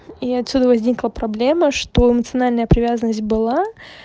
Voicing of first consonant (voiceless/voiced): voiceless